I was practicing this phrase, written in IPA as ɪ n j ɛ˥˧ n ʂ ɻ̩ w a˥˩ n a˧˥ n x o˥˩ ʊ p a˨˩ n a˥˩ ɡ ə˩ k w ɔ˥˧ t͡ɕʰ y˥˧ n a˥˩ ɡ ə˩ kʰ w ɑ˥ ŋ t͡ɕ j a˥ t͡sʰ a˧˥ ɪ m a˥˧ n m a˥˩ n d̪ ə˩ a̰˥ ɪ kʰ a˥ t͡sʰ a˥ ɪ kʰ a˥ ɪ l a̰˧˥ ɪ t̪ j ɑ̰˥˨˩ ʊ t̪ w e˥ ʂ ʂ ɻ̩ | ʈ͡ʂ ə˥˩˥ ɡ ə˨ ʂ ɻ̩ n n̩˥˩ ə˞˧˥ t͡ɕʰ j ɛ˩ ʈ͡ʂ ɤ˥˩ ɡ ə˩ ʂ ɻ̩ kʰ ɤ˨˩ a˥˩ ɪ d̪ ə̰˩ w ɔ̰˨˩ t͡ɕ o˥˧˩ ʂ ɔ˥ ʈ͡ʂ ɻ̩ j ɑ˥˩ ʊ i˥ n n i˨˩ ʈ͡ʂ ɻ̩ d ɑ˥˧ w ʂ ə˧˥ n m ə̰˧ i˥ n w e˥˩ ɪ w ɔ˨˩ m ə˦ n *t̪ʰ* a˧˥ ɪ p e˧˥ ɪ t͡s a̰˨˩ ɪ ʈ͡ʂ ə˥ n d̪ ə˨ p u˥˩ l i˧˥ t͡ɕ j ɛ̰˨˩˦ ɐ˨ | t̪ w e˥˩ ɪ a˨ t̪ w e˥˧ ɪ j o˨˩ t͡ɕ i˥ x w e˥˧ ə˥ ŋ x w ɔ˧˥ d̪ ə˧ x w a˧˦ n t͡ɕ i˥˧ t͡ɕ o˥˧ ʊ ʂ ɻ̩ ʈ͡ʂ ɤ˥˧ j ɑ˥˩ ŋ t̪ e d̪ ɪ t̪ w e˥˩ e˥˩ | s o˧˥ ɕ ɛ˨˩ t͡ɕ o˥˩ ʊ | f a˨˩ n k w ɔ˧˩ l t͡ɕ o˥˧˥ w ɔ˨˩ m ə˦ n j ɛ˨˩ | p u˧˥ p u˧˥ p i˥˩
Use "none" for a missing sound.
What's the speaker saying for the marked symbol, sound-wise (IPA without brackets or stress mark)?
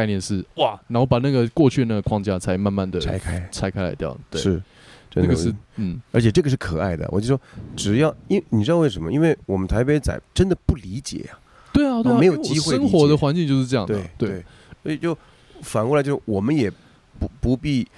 t̪ʰ